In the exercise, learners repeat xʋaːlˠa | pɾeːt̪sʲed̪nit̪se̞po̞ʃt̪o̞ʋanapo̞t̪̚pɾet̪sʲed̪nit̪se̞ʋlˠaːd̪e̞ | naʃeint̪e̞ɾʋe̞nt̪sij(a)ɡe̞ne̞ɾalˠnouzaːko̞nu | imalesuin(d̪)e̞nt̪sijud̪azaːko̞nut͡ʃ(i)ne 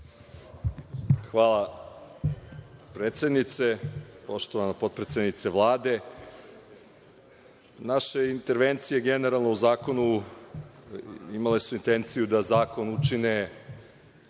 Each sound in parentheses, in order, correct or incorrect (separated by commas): incorrect, incorrect, correct